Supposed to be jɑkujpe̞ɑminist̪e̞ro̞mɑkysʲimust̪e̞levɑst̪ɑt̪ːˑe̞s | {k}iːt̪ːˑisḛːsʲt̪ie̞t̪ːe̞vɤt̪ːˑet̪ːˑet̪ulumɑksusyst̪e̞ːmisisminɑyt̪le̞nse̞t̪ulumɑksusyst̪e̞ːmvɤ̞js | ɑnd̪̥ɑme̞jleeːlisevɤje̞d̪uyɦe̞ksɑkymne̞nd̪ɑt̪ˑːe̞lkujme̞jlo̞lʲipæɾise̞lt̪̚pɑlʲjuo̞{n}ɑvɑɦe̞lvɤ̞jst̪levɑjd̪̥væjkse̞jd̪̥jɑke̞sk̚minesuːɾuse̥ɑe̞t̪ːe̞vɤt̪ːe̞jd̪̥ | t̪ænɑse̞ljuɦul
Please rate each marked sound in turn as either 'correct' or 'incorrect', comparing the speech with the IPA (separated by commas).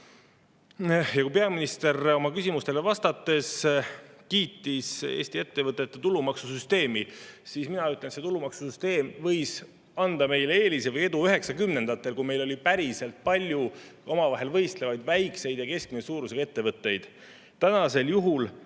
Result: correct, incorrect